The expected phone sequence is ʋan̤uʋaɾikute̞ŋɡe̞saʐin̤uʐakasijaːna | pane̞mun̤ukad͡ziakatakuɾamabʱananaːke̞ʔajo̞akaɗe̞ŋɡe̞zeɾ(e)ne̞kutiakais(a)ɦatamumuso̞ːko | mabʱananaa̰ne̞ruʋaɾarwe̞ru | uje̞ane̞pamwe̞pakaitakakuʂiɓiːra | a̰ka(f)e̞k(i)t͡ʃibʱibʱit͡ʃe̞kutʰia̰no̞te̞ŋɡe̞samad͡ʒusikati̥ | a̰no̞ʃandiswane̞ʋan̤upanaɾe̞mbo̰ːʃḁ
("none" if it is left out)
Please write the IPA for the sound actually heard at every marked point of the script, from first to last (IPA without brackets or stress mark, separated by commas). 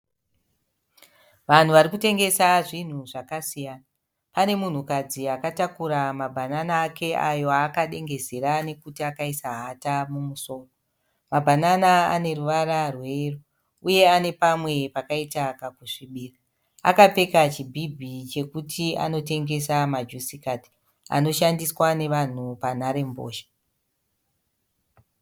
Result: a, a, p͡f, a